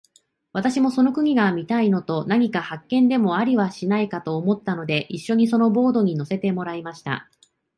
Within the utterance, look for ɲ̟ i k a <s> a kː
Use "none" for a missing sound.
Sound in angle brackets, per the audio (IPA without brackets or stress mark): h